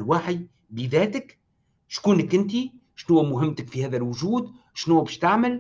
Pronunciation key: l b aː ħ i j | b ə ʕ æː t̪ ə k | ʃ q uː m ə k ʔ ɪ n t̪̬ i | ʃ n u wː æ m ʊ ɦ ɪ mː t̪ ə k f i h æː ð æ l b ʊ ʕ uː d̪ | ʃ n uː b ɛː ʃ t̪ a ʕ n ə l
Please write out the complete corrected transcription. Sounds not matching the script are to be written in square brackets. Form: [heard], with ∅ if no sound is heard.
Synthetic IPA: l [w] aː ħ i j | b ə [ð] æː t̪ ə k | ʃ [k] uː [n] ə k ʔ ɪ n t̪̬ i | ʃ n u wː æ m ʊ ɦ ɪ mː t̪ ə k f i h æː ð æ l [w] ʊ [ʒ] uː d̪ | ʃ n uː b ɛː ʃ t̪ a ʕ [m] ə l